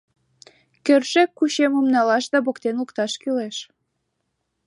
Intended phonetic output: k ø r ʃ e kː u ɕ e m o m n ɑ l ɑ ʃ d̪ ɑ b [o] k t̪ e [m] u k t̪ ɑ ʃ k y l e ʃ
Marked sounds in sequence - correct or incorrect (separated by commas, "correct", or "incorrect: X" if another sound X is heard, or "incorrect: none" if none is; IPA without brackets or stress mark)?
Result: correct, incorrect: n